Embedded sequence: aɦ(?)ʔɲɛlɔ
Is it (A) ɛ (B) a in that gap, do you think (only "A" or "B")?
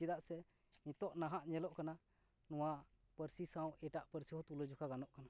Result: B